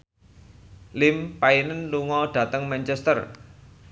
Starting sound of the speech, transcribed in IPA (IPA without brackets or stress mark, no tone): l